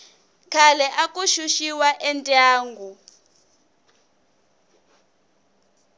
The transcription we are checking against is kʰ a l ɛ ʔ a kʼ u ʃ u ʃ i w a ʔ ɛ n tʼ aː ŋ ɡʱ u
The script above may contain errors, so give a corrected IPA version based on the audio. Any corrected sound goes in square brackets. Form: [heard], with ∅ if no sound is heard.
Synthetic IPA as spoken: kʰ a l ɛ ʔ a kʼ u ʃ u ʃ i w a ʔ ɛ n tʼ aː ŋ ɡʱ u